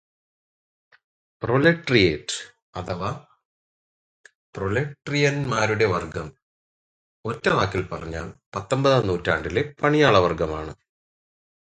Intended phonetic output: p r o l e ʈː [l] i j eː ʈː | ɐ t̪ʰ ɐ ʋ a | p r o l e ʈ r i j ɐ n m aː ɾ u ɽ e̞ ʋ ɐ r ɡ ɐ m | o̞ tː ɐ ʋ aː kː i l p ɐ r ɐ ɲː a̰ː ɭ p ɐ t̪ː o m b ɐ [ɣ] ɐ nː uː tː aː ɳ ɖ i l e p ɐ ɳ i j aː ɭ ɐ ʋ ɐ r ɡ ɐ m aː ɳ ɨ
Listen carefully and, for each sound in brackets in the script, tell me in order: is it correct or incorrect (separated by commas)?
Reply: incorrect, incorrect